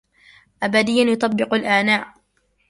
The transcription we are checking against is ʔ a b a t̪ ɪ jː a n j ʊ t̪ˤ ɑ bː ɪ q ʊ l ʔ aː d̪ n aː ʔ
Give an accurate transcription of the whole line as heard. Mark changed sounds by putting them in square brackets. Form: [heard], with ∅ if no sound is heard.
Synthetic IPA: ʔ a b a [d̪] ɪ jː a n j ʊ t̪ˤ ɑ bː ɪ q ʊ l ʔ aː [∅] n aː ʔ